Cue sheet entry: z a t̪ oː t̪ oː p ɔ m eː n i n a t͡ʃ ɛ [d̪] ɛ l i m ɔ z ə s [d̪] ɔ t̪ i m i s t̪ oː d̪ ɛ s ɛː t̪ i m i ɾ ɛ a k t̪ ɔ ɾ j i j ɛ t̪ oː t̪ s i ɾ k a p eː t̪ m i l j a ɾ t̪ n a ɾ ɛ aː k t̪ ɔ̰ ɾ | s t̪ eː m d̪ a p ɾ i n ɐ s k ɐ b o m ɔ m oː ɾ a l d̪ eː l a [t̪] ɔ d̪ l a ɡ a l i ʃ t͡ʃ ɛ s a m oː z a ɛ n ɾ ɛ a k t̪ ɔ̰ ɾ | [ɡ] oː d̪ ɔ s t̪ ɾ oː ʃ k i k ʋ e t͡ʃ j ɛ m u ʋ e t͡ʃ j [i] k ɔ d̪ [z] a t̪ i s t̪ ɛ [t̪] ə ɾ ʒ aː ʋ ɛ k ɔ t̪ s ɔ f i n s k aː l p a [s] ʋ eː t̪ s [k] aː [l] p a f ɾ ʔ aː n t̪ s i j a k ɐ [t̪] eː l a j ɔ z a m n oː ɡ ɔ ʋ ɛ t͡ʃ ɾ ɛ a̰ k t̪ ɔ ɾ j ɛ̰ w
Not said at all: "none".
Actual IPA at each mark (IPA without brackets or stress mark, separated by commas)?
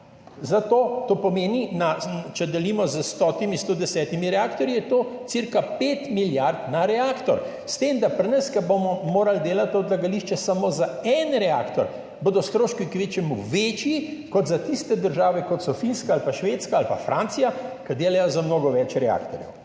d̪, t̪, t̪, b, i, z, d̪, ʃ, k, l, d̪